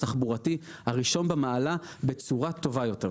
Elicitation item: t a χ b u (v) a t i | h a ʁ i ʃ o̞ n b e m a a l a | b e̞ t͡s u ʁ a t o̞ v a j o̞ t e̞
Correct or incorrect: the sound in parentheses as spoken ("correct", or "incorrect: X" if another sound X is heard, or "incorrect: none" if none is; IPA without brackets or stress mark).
incorrect: ʁ